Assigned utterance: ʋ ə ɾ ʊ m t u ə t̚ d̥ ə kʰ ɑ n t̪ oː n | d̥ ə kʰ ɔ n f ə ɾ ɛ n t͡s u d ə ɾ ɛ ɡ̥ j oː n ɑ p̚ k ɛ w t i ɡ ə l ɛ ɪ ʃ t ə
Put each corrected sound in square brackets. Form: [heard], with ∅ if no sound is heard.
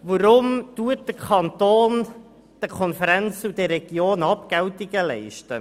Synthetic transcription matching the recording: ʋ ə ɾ ʊ m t u ə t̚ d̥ ə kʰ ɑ n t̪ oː n | d̥ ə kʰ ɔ n f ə ɾ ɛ n t͡s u d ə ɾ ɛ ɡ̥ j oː n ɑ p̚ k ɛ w t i ɡ ə l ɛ ɪ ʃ t ə